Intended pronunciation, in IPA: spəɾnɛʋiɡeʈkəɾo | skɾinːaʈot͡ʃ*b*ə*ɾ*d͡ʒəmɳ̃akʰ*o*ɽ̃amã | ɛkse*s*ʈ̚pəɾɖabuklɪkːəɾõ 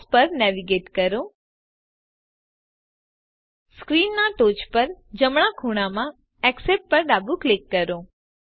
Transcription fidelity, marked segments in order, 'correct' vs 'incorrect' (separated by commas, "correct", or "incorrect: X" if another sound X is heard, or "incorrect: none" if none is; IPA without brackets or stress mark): incorrect: p, correct, incorrect: u, incorrect: none